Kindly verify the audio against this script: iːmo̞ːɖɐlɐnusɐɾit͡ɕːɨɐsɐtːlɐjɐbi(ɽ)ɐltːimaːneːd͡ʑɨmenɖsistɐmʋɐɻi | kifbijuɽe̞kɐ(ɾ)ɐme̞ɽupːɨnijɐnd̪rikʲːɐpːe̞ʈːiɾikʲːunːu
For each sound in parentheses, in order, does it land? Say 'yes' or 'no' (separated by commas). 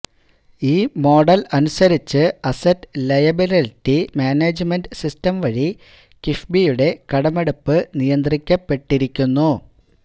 no, no